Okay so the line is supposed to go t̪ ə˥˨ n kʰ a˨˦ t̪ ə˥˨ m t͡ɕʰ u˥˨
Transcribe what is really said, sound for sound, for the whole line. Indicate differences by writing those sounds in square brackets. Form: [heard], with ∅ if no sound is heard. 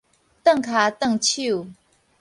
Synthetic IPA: t̪ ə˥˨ [ŋ] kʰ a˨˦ t̪ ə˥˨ [ŋ] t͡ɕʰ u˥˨